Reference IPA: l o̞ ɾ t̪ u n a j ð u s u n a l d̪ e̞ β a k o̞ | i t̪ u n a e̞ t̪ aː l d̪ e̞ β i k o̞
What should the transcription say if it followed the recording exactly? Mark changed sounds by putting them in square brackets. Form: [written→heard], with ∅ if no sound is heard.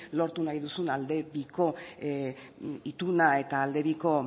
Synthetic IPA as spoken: l o̞ ɾ t̪ u n a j ð u s u n a l d̪ e̞ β [a→i] k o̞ | i t̪ u n a e̞ t̪ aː l d̪ e̞ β i k o̞

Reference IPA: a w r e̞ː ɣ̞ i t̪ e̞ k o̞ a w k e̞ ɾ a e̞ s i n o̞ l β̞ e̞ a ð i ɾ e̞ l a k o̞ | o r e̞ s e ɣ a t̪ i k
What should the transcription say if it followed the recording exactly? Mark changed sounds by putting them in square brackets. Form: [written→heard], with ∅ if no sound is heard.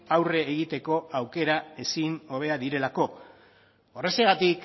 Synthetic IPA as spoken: a w r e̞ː ɣ̞ i t̪ e̞ k o̞ a w k e̞ ɾ a e̞ s i n o̞ [l→∅] β̞ e̞ a ð i ɾ e̞ l a k o̞ | o r e̞ s e ɣ a t̪ i k

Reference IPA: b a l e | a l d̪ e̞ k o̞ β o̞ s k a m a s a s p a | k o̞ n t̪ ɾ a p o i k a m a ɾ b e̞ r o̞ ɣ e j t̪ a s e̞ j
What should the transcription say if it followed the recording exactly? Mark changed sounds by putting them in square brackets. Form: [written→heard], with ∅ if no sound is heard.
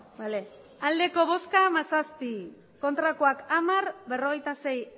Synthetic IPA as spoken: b a l e | a l d̪ e̞ k o̞ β o̞ s k a m a s a s p [a→i] | k o̞ n t̪ ɾ a [p→k] o [i→a] k a m a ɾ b e̞ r o̞ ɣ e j t̪ a s e̞ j

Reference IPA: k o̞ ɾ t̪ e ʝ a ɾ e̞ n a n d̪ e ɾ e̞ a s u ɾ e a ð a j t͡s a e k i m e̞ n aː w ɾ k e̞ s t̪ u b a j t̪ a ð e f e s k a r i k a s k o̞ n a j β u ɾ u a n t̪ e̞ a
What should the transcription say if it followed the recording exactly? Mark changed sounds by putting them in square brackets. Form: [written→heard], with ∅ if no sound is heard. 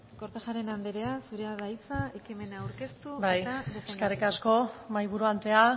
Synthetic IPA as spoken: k o̞ ɾ t̪ e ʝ a ɾ e̞ n a n d̪ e ɾ e̞ a s u ɾ e a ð a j t͡s a e k i m e̞ n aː w ɾ k e̞ s t̪ u b a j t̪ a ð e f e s k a r i k a s k o̞ [n→m] a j β u ɾ u a n t̪ e̞ a

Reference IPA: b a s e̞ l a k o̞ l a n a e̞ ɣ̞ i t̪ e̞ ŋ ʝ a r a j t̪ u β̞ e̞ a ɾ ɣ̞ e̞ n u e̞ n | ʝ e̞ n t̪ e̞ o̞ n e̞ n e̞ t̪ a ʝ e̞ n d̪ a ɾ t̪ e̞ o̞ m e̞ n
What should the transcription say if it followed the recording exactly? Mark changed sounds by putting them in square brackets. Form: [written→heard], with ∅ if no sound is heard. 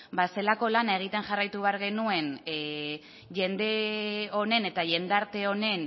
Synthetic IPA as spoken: b a s e̞ l a k o̞ l a n a e̞ ɣ̞ i t̪ e̞ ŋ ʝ a r a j t̪ u β̞ e̞ a ɾ ɣ̞ e̞ n u e̞ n | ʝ e̞ n [t̪→d̪] e̞ o̞ n e̞ n e̞ t̪ a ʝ e̞ n d̪ a ɾ t̪ e̞ o̞ [m→n] e̞ n

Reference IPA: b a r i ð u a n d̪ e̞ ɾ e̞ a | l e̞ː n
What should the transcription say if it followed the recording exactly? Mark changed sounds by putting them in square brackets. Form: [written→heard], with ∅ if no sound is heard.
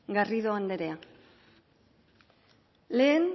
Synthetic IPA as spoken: [b→ɡ] a r i ð [u→o] a n d̪ e̞ ɾ e̞ a | l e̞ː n

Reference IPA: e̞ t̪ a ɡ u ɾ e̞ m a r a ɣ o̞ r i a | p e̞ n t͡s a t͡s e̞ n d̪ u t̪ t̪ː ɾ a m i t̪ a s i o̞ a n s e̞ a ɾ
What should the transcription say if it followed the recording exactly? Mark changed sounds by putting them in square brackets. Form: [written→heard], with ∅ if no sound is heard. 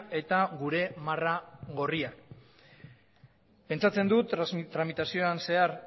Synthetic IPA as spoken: e̞ t̪ a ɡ u ɾ e̞ m a r a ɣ o̞ r i a | p e̞ n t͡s a t͡s e̞ n d̪ u t̪ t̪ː ɾ a m i t̪ a s i o̞ a n s e̞ a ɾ

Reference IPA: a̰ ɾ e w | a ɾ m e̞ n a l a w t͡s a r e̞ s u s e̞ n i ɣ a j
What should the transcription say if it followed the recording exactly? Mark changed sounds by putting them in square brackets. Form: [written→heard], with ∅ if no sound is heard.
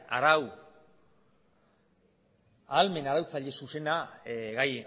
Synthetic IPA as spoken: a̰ ɾ [e→a] w | a [ɾ→l] m e̞ n a [l→ɾ] a w t͡s a [r→ʎ] e̞ s u s e̞ n [i→a] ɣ a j

